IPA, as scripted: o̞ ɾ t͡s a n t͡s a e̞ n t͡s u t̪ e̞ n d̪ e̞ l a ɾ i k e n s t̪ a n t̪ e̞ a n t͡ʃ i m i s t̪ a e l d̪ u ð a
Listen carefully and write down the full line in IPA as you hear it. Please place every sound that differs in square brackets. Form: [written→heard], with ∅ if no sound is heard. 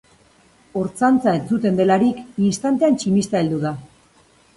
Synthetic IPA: o̞ ɾ t͡s a n t͡s a e̞ n t͡s u t̪ e̞ n d̪ e̞ l a ɾ i k [e→i] n s t̪ a n t̪ e̞ a n t͡ʃ i m i s t̪ a e l d̪ u ð a